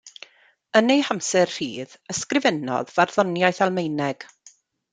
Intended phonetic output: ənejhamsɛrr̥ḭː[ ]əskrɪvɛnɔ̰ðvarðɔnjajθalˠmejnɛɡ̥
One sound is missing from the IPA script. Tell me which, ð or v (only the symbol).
ð